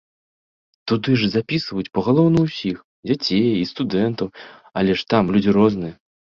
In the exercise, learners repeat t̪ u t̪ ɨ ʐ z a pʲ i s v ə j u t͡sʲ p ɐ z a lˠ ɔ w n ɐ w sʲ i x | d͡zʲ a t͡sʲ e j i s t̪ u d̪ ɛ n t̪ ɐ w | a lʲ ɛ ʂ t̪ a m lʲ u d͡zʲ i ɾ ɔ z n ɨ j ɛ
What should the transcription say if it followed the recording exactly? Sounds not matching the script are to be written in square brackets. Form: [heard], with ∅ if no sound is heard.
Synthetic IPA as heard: t̪ u [d̪] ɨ ʐ z a pʲ i s v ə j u t͡sʲ p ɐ [ɣ] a lˠ ɔ w n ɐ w sʲ i x | d͡zʲ a t͡sʲ e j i s t̪ u d̪ ɛ n t̪ ɐ w | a lʲ ɛ ʂ t̪ a m lʲ u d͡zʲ i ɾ ɔ z n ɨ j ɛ